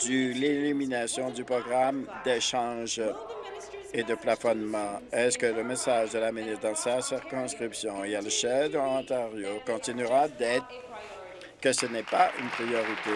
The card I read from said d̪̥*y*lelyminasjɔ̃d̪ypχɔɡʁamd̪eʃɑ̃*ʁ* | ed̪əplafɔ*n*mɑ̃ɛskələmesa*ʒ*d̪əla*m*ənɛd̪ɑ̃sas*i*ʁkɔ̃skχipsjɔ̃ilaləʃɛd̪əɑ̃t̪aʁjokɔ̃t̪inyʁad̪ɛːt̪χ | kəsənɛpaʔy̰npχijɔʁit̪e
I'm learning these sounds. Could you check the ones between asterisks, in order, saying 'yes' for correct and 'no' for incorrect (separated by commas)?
yes, no, yes, yes, yes, yes